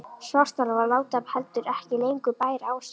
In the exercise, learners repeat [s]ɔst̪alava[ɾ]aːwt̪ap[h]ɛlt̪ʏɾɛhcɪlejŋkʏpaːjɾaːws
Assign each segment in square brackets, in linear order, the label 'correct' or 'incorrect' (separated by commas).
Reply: correct, incorrect, correct